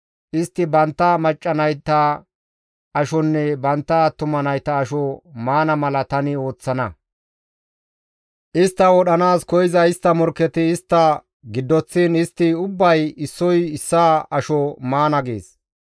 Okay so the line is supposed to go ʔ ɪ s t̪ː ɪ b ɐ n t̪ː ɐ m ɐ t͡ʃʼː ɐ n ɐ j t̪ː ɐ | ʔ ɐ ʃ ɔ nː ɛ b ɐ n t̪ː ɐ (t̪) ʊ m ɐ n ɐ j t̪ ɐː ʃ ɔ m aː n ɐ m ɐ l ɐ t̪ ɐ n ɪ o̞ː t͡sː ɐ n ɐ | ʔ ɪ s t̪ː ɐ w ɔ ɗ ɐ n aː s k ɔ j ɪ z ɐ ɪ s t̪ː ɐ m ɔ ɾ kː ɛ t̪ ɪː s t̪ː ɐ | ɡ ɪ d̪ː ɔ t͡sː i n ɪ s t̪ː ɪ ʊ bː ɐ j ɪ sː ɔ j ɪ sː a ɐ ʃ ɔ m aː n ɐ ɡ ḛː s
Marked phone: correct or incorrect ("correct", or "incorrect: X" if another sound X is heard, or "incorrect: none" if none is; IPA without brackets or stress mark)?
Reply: correct